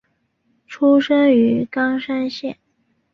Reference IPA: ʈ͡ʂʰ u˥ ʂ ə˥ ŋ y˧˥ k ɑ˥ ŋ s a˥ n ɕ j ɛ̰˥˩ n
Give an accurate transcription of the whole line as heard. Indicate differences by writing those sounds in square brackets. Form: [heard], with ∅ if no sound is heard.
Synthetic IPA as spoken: ʈ͡ʂʰ u˥ ʂ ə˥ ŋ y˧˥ k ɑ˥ ŋ [ʂ] a˥ n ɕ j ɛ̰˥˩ n